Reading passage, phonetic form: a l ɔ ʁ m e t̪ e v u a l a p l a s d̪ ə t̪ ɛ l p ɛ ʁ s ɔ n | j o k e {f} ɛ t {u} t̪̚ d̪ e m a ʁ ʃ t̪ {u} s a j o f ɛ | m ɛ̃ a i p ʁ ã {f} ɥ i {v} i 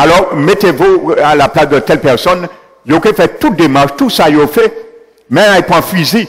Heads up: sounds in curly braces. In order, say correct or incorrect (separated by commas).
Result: correct, correct, correct, correct, incorrect